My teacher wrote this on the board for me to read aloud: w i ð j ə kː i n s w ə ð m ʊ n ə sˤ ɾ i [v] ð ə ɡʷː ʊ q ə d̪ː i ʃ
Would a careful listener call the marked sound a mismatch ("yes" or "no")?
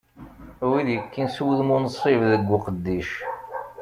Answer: no